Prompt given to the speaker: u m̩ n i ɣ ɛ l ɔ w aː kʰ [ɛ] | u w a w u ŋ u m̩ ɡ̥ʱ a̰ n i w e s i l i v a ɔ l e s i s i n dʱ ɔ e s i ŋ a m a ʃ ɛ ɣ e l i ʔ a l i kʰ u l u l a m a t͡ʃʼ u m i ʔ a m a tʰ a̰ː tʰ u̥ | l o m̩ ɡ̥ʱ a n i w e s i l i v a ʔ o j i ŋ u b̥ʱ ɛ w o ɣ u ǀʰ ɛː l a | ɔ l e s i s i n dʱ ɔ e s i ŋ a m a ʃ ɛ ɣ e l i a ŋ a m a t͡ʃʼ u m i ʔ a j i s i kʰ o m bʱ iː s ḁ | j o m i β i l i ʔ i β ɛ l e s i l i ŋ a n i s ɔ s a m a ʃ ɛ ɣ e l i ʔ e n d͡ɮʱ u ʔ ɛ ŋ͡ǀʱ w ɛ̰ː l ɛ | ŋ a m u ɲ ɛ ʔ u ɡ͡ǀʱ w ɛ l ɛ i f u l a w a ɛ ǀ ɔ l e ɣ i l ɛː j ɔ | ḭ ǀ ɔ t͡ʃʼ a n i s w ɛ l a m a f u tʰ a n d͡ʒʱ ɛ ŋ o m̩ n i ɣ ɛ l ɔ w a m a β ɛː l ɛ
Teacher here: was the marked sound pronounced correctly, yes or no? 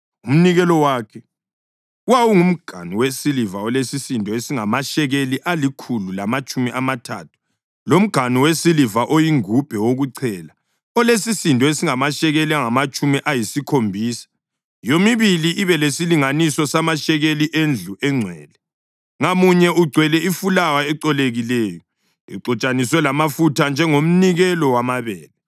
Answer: yes